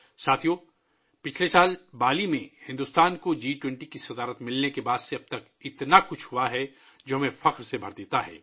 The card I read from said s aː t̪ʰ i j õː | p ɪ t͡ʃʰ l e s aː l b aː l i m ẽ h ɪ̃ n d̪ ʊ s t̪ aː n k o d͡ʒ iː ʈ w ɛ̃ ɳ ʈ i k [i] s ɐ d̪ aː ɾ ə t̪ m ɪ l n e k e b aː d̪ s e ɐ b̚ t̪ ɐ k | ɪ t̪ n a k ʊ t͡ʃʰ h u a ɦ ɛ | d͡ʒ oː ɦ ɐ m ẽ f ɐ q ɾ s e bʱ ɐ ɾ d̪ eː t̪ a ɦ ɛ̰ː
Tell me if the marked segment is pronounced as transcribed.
yes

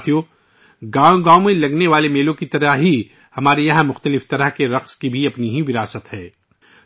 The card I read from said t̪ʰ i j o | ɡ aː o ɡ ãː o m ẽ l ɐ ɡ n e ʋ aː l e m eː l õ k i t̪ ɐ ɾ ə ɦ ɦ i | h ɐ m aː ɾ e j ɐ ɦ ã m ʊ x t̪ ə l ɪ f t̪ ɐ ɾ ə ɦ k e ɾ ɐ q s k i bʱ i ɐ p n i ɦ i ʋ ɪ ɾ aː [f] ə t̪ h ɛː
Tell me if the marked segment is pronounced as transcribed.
no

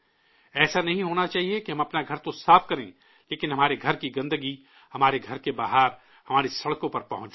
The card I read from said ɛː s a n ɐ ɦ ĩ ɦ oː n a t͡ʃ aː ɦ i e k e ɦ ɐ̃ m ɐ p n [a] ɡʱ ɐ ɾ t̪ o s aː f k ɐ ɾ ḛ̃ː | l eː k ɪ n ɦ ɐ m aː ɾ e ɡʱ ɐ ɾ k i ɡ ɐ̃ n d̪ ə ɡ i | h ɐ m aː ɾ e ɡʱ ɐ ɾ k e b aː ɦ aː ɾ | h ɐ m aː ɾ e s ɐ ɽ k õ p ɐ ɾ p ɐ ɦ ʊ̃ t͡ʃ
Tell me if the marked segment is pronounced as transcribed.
yes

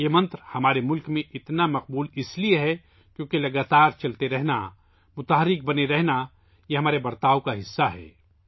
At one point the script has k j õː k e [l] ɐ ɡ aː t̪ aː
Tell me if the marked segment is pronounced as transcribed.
yes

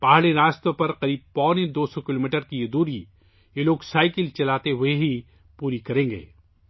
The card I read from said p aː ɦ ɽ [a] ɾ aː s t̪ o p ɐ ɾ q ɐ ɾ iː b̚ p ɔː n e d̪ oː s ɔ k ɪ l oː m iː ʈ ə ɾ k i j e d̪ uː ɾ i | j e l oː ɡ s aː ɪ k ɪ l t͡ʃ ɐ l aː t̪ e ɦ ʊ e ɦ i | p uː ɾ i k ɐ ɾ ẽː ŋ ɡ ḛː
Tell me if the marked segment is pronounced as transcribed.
no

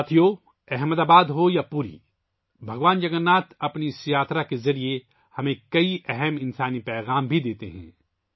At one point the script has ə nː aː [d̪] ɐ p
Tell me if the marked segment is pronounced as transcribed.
no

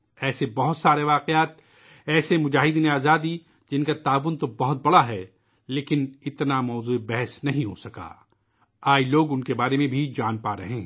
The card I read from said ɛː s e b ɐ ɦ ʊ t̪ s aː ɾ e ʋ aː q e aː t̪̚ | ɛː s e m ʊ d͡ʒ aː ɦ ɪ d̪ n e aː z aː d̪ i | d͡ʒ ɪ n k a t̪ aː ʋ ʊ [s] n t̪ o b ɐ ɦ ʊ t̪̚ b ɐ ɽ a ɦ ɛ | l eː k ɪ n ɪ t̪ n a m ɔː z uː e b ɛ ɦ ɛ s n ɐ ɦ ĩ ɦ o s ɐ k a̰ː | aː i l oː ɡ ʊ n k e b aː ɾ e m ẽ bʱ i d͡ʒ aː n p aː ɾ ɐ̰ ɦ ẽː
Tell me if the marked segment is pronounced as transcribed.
no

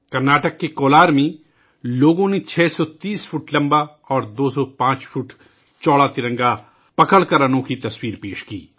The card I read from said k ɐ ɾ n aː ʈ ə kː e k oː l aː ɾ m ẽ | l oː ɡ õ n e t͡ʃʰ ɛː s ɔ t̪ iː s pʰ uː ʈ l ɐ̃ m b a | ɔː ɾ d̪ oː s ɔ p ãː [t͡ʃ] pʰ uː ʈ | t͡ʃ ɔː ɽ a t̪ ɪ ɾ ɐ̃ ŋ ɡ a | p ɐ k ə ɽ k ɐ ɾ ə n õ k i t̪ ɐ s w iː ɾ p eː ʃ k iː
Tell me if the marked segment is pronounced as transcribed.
yes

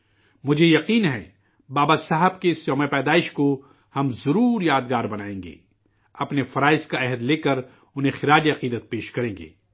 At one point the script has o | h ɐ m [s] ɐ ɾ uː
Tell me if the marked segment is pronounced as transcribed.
no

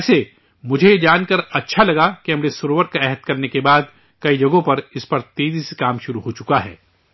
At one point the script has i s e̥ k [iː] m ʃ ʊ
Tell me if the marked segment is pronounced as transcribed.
no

